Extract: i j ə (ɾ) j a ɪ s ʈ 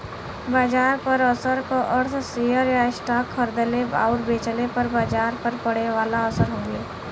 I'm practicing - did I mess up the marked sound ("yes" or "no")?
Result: no